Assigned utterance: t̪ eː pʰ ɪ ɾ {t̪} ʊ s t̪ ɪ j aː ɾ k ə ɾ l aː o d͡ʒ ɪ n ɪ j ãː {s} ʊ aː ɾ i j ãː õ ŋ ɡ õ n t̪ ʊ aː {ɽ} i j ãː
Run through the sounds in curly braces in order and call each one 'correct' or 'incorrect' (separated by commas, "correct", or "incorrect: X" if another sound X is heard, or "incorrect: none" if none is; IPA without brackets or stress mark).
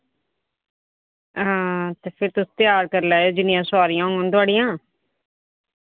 correct, correct, correct